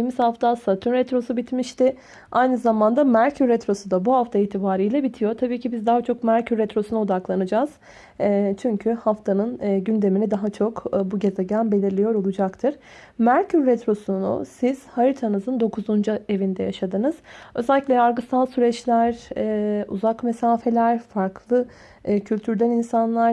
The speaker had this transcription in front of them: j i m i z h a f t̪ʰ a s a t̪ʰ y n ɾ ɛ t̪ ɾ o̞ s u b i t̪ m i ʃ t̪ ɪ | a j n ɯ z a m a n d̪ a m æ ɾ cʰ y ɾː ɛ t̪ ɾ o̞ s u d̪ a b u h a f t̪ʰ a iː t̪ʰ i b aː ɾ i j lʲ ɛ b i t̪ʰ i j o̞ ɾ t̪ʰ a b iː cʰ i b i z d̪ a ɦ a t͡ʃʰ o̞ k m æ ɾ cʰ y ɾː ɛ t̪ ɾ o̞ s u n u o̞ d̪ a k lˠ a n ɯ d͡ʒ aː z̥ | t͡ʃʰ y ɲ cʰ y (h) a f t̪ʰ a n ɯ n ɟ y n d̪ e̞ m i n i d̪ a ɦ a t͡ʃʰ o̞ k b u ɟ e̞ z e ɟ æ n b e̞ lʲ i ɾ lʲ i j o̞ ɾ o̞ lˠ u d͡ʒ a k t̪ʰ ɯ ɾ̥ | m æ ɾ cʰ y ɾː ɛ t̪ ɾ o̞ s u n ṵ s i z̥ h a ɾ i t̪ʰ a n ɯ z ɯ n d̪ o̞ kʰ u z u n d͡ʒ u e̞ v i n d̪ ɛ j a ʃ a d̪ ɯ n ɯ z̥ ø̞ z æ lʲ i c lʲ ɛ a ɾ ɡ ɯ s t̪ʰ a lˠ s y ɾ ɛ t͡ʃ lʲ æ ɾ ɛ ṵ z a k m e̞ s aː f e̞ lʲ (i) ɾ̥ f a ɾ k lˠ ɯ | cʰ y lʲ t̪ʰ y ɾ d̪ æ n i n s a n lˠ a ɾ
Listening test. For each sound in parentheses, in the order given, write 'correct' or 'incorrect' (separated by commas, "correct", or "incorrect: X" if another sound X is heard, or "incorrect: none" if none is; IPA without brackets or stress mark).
correct, incorrect: æ